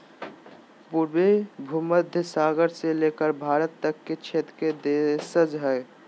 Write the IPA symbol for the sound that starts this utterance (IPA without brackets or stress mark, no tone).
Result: p